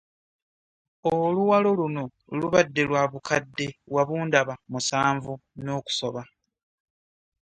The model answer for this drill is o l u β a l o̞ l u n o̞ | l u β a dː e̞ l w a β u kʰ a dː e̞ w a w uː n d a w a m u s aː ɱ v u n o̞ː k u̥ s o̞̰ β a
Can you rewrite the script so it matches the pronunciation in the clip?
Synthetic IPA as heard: o l u w a l o̞ l u n o̞ | l u β a dː e̞ l w a β u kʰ a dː e̞ w a β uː n d a β a m u s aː ɱ v u n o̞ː k u̥ s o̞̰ β a